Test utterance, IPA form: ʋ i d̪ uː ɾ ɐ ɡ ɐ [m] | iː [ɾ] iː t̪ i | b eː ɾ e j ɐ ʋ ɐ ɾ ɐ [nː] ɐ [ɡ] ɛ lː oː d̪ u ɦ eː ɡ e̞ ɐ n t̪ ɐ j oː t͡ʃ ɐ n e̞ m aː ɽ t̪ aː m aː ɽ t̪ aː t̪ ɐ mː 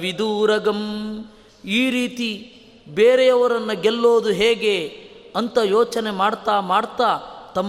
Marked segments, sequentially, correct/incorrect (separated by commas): correct, correct, correct, correct